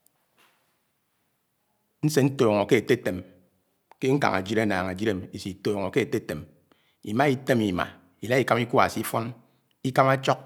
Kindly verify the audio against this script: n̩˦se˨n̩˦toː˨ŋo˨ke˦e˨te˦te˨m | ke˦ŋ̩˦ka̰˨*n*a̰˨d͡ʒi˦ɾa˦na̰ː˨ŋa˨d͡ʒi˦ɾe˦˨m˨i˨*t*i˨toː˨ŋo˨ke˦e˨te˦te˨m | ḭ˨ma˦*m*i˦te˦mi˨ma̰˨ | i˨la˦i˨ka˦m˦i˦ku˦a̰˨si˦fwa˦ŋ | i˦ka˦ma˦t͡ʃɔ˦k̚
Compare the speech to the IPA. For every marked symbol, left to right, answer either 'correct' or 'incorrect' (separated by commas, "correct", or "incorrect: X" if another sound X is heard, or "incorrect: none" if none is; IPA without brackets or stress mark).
incorrect: ŋ, incorrect: s, incorrect: none